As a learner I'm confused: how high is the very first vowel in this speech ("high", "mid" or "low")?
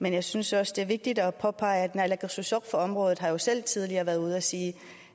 mid